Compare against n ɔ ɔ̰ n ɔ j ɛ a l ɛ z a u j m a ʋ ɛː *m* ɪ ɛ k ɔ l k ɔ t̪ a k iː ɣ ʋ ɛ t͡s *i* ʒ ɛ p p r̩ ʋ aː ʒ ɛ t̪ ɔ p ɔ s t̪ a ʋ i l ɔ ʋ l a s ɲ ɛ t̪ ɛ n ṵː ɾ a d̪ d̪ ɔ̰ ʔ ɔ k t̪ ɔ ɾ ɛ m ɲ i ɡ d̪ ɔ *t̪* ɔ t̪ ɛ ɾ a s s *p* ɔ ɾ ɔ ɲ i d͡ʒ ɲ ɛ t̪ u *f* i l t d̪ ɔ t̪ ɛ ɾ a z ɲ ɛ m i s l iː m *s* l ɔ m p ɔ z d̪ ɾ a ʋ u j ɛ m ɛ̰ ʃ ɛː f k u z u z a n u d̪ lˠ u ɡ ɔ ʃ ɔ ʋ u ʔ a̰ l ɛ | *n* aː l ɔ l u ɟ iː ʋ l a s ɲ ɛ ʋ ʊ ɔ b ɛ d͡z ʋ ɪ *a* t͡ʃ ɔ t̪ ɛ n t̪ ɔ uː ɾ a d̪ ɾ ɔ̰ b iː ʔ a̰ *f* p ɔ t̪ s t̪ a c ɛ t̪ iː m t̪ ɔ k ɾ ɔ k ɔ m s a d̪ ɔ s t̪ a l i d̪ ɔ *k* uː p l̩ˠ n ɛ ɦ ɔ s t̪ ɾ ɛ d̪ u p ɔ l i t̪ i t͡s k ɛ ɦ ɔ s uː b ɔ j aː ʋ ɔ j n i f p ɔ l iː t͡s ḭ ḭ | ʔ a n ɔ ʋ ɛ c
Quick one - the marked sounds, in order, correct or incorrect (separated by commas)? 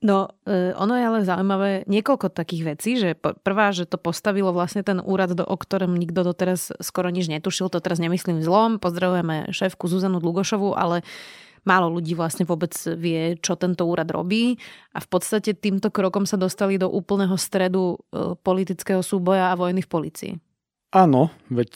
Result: incorrect, incorrect, incorrect, incorrect, incorrect, incorrect, incorrect, incorrect, correct, incorrect